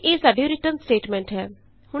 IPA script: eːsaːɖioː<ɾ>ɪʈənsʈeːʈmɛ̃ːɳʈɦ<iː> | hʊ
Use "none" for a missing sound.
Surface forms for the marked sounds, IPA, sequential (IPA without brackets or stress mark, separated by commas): ɾ, ɛː